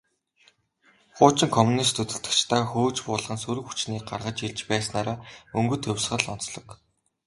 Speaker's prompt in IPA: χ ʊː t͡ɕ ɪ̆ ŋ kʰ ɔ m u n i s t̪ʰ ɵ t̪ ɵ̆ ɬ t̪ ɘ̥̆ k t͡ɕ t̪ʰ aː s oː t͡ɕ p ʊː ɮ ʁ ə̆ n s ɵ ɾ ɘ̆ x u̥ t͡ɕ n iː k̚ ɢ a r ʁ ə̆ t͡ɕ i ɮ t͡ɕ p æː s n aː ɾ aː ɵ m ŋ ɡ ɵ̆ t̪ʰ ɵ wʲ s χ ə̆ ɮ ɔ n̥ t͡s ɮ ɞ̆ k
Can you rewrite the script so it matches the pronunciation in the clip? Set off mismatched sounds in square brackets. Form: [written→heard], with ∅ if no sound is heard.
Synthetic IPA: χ ʊː t͡ɕ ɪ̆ ŋ kʰ ɔ m u n i s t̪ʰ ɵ t̪ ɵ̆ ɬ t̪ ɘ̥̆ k t͡ɕ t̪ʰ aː [s→x] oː t͡ɕ p ʊː ɮ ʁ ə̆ n s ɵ ɾ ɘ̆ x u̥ t͡ɕ n iː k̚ ɢ a r ʁ ə̆ t͡ɕ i ɮ t͡ɕ p æː s n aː ɾ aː ɵ [m→∅] ŋ ɡ ɵ̆ t̪ʰ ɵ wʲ s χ ə̆ ɮ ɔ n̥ t͡s ɮ ɞ̆ k